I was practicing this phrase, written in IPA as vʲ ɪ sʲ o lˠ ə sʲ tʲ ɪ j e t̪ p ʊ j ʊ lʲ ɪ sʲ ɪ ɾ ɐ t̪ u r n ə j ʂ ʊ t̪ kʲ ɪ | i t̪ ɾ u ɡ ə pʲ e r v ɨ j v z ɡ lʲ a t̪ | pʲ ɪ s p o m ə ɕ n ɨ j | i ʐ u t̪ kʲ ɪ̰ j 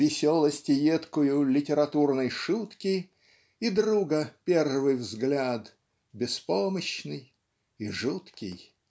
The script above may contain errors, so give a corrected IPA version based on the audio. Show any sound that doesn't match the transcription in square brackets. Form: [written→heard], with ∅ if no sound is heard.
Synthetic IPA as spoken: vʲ ɪ sʲ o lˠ ə sʲ tʲ ɪ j e t̪ [p→k] ʊ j ʊ lʲ ɪ [sʲ→tʲ] ɪ ɾ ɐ t̪ u r n ə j ʂ [ʊ→u] t̪ kʲ ɪ | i [t̪→d̪] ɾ u ɡ ə pʲ e r v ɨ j v z ɡ lʲ a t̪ | [pʲ→bʲ] ɪ s p o m ə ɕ n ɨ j | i ʐ u t̪ kʲ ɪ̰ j